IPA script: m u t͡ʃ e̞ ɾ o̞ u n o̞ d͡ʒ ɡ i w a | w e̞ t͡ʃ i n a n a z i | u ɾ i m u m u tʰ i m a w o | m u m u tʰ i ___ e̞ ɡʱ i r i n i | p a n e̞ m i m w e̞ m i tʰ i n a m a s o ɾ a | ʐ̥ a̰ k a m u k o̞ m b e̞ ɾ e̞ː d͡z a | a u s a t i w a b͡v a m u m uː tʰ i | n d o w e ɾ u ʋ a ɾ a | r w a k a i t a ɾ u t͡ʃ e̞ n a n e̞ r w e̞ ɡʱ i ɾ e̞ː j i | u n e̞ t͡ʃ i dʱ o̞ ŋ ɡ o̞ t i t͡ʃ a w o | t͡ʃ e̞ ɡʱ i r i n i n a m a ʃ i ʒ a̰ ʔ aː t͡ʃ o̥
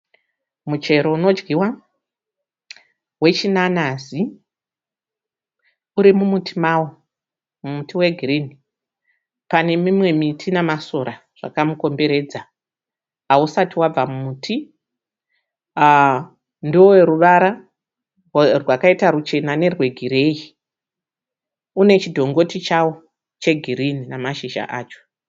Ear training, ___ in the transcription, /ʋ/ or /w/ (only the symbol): w